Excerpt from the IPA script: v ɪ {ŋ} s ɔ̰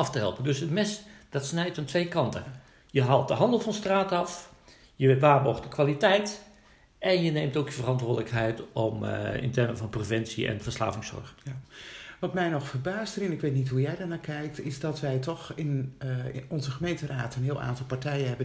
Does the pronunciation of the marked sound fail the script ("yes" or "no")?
no